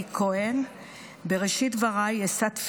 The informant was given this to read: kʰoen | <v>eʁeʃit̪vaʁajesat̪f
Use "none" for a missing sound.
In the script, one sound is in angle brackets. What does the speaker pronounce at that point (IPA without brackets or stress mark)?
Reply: b